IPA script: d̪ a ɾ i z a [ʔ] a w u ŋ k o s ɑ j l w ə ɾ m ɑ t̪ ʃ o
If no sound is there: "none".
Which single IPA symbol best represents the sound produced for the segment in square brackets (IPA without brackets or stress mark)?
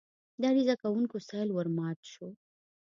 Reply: k